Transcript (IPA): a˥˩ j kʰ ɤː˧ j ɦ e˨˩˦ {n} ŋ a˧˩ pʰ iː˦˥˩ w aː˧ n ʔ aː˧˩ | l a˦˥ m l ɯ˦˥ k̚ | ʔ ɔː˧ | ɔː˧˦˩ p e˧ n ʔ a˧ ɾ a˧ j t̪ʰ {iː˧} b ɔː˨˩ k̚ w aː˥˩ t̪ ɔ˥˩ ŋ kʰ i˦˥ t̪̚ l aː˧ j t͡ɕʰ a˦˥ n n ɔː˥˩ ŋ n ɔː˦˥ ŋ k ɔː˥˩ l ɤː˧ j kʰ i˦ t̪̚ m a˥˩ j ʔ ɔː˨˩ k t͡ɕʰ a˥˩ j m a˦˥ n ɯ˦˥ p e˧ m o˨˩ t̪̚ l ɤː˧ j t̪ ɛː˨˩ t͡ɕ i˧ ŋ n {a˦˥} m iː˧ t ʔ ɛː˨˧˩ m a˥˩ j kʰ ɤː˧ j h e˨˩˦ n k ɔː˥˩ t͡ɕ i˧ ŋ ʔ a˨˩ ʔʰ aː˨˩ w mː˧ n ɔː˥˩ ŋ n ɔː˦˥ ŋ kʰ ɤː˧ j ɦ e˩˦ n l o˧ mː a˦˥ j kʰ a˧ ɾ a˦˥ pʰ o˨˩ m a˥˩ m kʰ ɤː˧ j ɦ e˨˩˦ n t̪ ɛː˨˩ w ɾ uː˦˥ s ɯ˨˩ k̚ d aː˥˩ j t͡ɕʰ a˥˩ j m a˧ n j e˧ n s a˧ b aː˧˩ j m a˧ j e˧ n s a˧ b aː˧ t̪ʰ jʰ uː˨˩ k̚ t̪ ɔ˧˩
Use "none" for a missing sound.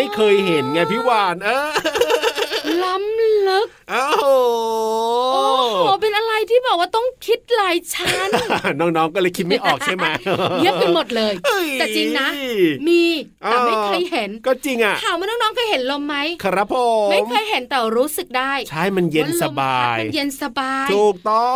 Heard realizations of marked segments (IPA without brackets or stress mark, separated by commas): n, iː˥˩, a˦˥